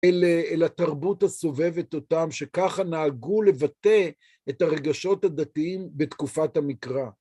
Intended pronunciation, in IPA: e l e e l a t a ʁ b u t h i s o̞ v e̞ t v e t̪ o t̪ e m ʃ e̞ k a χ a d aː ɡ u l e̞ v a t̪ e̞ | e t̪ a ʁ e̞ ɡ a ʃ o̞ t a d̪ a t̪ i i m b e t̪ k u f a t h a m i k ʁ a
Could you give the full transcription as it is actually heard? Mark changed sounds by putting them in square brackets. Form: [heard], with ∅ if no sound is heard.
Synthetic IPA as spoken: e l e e l a t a ʁ b u t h [a] s o̞ v e̞ [∅] v e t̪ o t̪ [a] m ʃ e̞ k a χ a [n] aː ɡ u l e̞ v a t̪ e̞ | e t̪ a ʁ e̞ ɡ a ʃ o̞ t a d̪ a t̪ i i m b e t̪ k u f a t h a m i k ʁ a

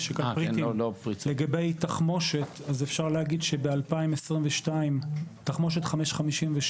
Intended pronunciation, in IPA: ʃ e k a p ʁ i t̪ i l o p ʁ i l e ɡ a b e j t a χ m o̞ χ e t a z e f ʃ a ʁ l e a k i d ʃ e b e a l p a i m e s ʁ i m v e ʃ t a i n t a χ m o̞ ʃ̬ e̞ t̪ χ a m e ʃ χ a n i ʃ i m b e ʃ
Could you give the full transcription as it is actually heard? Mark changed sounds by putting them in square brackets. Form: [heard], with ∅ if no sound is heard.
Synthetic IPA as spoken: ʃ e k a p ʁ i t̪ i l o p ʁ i l e ɡ a b e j t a χ m o̞ [ʃ] e t a z e f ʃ a ʁ l e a [ɡ] i d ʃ e b e a l p a i m e s ʁ i m v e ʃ t a i [m] t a χ m o̞ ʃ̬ e̞ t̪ χ a m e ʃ χ a [m] i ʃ i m [v] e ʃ

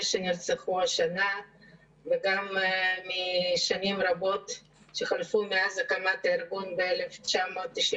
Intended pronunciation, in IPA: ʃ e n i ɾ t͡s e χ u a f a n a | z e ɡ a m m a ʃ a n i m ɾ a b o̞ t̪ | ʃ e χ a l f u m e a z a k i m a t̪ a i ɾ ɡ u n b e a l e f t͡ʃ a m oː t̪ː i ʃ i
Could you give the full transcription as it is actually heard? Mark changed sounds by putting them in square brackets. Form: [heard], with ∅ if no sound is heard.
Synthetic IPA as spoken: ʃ e n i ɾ t͡s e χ u a [ʃ] a n a | [v] e ɡ a m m [i] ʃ a n i m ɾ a b o̞ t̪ | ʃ e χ a l f u m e a z a k [a] m a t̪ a i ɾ ɡ u n b e [e] l e f t͡ʃ a m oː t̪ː i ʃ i

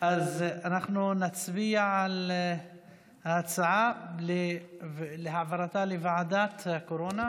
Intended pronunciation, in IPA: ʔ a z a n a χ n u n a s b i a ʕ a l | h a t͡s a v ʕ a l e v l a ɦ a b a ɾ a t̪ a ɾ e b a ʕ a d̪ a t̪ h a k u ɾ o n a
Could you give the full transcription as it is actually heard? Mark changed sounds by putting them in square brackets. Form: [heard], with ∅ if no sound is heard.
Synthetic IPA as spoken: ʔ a z a n a χ n u n a [t͡s] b i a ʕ a l | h a t͡s a [∅] ʕ a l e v l [e] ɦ a [v] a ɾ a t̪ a [l] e [v] a ʕ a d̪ a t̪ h a k [o] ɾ o n a

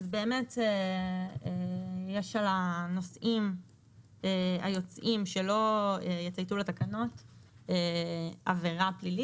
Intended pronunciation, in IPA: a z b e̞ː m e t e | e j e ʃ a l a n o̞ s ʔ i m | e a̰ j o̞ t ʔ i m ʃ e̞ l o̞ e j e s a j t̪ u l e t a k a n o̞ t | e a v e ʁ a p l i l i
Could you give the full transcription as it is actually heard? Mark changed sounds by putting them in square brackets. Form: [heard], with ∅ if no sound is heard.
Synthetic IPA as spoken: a z b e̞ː m e t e | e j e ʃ a l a n o̞ s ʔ i m | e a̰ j o̞ [t͡s] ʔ i m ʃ e̞ l o̞ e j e [t͡s] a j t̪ u l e t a k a n o̞ t | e a v e ʁ a p l i l i

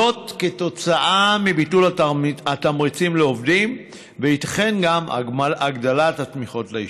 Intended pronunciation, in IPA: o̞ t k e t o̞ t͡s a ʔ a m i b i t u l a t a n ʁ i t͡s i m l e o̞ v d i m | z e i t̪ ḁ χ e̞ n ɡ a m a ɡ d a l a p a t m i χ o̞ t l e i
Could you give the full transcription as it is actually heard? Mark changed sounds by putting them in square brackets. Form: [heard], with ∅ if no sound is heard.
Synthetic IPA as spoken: o̞ t k e t o̞ t͡s a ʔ a m i b i t u l a t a [m] ʁ i t͡s i m l e o̞ v d i m | [v] e i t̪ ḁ χ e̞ n ɡ a m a ɡ d a l a [t] a t m i χ o̞ t l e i

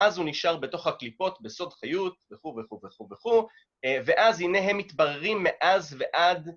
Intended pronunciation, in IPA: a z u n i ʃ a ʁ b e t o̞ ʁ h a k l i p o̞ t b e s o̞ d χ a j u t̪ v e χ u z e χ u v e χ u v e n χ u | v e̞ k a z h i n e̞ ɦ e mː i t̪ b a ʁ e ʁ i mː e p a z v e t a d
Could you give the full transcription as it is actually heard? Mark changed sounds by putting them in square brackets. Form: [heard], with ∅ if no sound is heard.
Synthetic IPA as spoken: a z u n i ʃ a ʁ b e t o̞ [χ] h a k l i p o̞ t b e s o̞ d χ a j u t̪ v e χ u [v] e χ u v e χ u v e [∅] χ u | v e̞ [ʔ] a z h i n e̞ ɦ e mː i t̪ b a ʁ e ʁ i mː e [ʔ] a z v e [ʔ] a d

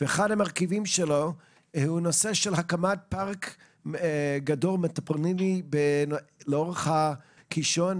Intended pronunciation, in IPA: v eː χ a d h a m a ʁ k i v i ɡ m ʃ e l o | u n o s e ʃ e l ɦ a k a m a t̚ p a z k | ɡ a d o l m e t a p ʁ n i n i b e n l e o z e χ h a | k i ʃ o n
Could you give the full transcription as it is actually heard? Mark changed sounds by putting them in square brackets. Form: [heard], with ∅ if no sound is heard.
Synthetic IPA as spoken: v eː χ a d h a m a ʁ k i v i [∅] m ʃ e l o | u n o s e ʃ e l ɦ a k a m a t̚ p a [ʁ] k | ɡ a d o l m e t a p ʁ n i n i b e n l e o [ʁ] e χ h a | k i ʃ o n

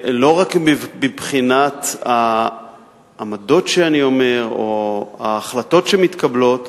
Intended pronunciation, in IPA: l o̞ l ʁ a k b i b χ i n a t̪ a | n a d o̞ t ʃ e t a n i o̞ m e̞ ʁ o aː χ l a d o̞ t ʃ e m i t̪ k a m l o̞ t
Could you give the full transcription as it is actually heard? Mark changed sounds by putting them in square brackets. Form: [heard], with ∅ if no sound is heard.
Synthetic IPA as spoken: l o̞ [∅] ʁ a k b i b χ i n a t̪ a | [m] a d o̞ t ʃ e [∅] a n i o̞ m e̞ ʁ o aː χ l a [t] o̞ t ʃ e m i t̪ k a [b] l o̞ t

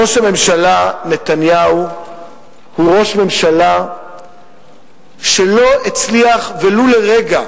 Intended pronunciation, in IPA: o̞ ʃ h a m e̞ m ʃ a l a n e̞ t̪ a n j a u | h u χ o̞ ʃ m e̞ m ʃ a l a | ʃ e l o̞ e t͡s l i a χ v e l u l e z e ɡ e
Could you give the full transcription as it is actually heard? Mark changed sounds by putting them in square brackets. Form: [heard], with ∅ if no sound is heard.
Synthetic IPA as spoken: o̞ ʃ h a m e̞ m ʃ a l a n e̞ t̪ a n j a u | h u [ʁ] o̞ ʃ m e̞ m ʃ a l a | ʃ e l o̞ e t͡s l i a χ v e l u l e [ʁ] e ɡ [a]

